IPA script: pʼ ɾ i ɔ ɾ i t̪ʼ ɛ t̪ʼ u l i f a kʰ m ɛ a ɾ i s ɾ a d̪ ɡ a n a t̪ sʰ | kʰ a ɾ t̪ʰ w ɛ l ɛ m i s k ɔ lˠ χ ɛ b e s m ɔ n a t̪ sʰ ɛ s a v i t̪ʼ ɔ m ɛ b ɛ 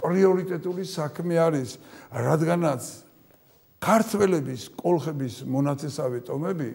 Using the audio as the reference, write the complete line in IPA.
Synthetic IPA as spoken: pʼ ɾ i ɔ ɾ i t̪ʼ ɛ t̪ʼ u l i s a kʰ m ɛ a ɾ i s ɾ a d̪ ɡ a n a t̪ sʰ | kʰ a ɾ t̪ʰ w ɛ l ɛ b i s kʼ ɔ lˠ χ ɛ b i s m ɔ n a t̪ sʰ ɛ s a v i t̪ʼ ɔ m ɛ b i